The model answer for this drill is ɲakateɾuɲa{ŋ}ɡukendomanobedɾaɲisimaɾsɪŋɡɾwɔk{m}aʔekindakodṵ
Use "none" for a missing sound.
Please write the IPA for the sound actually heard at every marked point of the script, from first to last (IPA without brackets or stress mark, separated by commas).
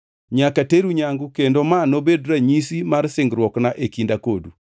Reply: ŋ, n